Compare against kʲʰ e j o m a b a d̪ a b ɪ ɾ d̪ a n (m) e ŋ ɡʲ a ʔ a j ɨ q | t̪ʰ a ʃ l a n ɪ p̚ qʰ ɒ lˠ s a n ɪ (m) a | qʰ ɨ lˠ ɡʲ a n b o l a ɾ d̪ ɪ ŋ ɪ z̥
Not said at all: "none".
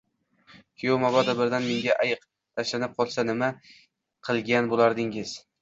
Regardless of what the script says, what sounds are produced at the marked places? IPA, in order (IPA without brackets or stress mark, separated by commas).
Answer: m, m